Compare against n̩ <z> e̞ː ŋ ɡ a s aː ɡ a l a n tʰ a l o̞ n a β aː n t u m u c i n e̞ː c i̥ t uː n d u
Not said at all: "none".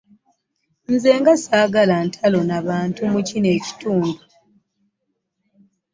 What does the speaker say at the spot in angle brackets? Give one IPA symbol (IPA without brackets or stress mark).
z